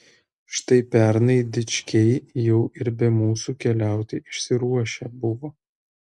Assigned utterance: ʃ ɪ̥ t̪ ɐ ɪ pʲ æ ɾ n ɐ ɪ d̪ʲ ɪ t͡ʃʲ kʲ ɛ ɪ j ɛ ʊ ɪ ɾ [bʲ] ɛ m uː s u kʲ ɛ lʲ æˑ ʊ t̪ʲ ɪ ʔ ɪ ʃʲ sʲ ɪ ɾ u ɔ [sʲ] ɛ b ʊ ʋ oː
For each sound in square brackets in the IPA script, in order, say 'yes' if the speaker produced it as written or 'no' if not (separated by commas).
yes, no